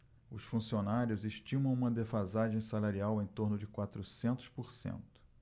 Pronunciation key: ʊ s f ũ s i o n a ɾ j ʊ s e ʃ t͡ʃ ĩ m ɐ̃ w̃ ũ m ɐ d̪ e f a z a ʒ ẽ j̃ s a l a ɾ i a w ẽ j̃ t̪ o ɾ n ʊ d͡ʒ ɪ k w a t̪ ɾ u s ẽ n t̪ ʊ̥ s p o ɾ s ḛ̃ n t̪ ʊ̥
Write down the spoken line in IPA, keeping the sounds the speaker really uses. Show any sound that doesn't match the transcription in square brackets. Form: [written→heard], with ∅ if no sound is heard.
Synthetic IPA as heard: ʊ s f ũ s i o n a ɾ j ʊ [s→z] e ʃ t͡ʃ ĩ m ɐ̃ w̃ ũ m ɐ d̪ e f a z a ʒ ẽ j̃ s a l a ɾ i a w ẽ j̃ t̪ o ɾ n ʊ d͡ʒ ɪ k w a t̪ ɾ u s ẽ n t̪ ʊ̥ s p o ɾ s ḛ̃ n t̪ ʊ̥

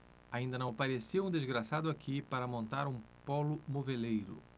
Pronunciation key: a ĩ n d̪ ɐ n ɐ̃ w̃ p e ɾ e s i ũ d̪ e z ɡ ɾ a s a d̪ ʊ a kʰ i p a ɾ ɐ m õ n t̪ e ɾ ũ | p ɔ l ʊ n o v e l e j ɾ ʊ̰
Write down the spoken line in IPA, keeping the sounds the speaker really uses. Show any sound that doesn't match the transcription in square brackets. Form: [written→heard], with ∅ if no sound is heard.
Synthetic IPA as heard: a ĩ n d̪ ɐ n ɐ̃ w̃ p [e→a] ɾ e s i ũ d̪ e z ɡ ɾ a s a d̪ ʊ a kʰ i p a ɾ ɐ m õ n t̪ [e→a] ɾ ũ | p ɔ l ʊ [n→m] o v e l e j ɾ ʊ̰

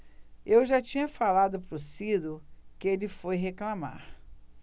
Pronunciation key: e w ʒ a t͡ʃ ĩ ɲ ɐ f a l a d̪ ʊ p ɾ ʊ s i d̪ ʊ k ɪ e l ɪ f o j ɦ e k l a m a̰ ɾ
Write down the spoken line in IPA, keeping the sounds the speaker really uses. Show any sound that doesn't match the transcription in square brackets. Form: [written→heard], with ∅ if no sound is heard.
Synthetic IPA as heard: e w ʒ a t͡ʃ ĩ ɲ ɐ f a l a d̪ ʊ p ɾ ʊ s i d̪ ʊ k ɪ e l ɪ f o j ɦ e k l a m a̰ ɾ

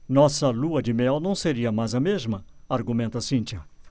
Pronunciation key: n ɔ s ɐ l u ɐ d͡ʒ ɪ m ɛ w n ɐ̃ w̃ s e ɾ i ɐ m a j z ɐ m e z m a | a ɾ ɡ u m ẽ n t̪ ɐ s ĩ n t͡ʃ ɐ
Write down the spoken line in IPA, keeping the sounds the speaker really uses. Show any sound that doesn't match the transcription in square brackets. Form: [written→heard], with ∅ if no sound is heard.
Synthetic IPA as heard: n ɔ s ɐ l u ɐ d͡ʒ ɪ m ɛ w n ɐ̃ w̃ s e ɾ i ɐ m a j z ɐ m e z m [a→ɐ] | a ɾ ɡ u m ẽ n t̪ ɐ s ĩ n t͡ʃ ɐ

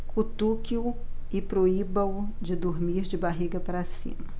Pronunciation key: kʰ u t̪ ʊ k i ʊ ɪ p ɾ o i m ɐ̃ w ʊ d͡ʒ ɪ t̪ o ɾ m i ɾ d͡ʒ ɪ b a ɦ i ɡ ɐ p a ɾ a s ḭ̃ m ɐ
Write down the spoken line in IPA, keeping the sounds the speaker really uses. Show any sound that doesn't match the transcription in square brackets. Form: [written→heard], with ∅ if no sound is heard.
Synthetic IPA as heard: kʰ u t̪ [ʊ→u] k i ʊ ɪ p ɾ o i [m→b] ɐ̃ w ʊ d͡ʒ ɪ [t̪→d̪] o ɾ m i ɾ d͡ʒ ɪ b a ɦ i ɡ ɐ p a ɾ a s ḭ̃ m ɐ

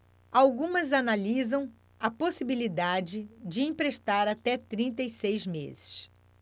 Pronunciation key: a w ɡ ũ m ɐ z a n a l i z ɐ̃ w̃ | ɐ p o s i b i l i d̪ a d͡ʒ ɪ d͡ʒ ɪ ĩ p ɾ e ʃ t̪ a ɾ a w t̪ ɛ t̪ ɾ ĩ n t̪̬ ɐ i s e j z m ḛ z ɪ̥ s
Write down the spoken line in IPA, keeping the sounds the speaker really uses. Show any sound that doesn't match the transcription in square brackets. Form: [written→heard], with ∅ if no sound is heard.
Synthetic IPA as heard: a w ɡ ũ m ɐ z a n a l i z ɐ̃ w̃ | ɐ p o s i b i l i d̪ a d͡ʒ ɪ d͡ʒ ɪ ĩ p ɾ e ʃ t̪ a ɾ a [w→∅] t̪ ɛ t̪ ɾ ĩ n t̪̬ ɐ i s e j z m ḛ z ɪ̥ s

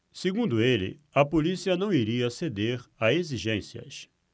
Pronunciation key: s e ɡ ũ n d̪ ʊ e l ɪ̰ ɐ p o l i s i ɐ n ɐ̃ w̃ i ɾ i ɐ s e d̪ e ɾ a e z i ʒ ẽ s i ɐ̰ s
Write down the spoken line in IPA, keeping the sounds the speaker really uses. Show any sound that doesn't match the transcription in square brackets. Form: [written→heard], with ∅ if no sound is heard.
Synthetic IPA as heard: s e ɡ ũ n d̪ ʊ e l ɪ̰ ɐ p o l i s i ɐ n ɐ̃ w̃ i ɾ i ɐ s e d̪ e ɾ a e z i ʒ ẽ s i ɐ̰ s

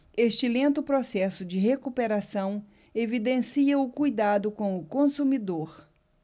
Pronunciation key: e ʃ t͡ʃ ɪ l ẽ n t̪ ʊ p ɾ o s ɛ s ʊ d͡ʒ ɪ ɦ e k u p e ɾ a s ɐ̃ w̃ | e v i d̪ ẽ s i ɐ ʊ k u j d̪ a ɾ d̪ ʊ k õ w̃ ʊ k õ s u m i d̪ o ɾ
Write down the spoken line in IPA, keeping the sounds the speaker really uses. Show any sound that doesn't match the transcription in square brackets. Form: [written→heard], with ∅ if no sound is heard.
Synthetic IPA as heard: e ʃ t͡ʃ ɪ l ẽ n t̪ ʊ p ɾ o s ɛ s ʊ d͡ʒ ɪ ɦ e k u p e ɾ a s ɐ̃ w̃ | e v i d̪ ẽ s i ɐ ʊ k u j d̪ a [ɾ→∅] d̪ ʊ k õ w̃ ʊ k õ s u m i d̪ o ɾ

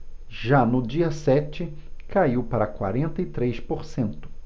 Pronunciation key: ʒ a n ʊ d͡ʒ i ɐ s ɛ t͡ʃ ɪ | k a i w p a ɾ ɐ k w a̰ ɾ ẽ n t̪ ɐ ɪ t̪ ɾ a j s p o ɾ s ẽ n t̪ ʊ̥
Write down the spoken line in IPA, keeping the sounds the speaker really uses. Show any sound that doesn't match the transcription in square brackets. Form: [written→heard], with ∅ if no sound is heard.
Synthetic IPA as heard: ʒ a n ʊ d͡ʒ i ɐ s ɛ t͡ʃ ɪ | k a i w p a ɾ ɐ k w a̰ ɾ ẽ n t̪ ɐ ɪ t̪ ɾ [a→e] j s p o ɾ s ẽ n t̪ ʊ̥

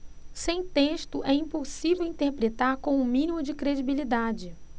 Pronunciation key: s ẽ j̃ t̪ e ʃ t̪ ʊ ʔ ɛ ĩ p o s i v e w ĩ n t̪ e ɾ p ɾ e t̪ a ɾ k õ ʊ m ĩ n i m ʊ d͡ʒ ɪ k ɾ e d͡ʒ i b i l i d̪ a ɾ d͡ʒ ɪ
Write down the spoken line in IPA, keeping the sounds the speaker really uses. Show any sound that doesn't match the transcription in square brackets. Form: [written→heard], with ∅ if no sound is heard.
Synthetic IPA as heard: s ẽ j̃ t̪ e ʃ t̪ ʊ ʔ ɛ ĩ p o s i v e w ĩ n t̪ e ɾ p ɾ e t̪ a ɾ k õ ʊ m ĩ n i m ʊ d͡ʒ ɪ k ɾ e d͡ʒ i b i l i d̪ a [ɾ→∅] d͡ʒ ɪ

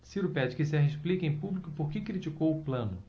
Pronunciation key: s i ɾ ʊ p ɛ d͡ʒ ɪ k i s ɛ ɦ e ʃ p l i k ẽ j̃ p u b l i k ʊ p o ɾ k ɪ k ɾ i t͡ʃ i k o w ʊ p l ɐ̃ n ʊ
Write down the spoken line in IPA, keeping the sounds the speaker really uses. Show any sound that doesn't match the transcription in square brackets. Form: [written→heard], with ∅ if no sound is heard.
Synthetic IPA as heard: s i ɾ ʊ p ɛ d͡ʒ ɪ k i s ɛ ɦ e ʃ p l i k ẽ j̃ p u b l i k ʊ p o ɾ k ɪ k ɾ i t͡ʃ i k o w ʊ p l ɐ̃ n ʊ

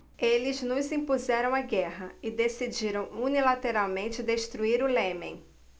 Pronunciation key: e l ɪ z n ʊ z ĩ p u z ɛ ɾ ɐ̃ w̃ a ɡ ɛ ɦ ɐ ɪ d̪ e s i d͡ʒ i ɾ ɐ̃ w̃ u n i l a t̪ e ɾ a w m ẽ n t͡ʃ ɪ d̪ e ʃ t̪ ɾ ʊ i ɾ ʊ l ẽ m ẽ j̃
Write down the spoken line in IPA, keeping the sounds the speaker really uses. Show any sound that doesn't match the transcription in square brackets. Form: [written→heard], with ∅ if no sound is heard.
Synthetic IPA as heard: e l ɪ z n ʊ z ĩ p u z ɛ ɾ ɐ̃ w̃ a ɡ ɛ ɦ ɐ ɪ d̪ e s i d͡ʒ i ɾ ɐ̃ w̃ u n i l a t̪ e ɾ a w m ẽ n t͡ʃ ɪ d̪ e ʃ t̪ ɾ [ʊ→u] i ɾ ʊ l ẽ m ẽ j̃

